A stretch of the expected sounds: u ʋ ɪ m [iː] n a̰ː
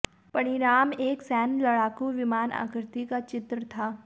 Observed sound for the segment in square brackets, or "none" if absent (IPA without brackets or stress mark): aː